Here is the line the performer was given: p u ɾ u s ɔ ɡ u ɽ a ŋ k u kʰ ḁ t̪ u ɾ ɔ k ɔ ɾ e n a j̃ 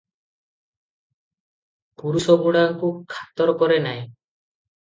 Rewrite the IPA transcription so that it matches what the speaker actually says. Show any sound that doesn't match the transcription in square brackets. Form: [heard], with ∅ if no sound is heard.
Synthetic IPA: p u ɾ u s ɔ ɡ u ɽ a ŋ k u kʰ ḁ t̪ [ɔ] ɾ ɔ k ɔ ɾ e n a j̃